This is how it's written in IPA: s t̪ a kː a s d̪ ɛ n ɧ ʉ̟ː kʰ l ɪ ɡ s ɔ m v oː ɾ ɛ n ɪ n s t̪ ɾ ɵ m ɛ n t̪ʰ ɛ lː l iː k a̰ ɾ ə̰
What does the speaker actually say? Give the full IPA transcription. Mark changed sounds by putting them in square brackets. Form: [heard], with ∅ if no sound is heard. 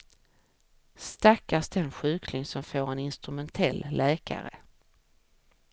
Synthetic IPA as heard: s t̪ a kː a s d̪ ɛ n ɧ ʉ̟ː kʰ l ɪ [ŋ] s ɔ m [f] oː ɾ ɛ n ɪ n s t̪ ɾ ɵ m ɛ n t̪ʰ ɛ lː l [ɛː] k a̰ ɾ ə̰